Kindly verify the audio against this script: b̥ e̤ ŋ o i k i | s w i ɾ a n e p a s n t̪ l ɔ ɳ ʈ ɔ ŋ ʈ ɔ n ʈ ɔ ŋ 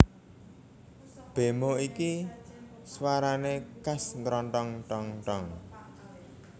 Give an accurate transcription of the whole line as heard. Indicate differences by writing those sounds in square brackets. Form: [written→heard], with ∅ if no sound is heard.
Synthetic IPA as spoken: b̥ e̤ [ŋ→m] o i k i | s w [i→a] ɾ a n e [p→k] a s n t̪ [l→ɾ] ɔ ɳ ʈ ɔ ŋ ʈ ɔ [n→ŋ] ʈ ɔ ŋ